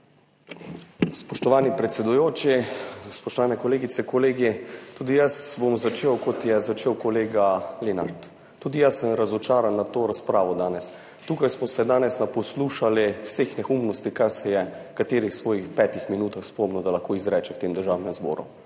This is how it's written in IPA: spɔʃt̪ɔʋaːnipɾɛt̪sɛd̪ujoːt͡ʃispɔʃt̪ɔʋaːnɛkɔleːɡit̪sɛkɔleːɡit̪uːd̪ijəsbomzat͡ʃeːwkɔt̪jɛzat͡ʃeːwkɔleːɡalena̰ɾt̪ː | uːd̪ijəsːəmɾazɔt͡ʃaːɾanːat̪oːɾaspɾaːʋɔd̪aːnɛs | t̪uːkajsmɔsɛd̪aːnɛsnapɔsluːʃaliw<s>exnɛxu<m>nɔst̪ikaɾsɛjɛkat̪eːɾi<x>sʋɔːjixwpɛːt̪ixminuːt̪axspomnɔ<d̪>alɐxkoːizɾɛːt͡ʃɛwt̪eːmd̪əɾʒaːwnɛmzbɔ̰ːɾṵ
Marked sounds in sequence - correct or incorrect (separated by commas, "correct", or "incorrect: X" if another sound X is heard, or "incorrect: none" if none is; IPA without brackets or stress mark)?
correct, correct, correct, correct